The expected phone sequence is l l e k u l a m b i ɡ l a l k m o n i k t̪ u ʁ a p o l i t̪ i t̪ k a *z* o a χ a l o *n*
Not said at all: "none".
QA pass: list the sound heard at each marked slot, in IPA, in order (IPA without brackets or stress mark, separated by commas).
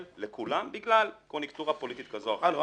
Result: z, none